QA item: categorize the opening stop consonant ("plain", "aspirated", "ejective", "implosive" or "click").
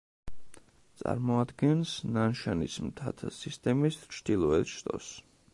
plain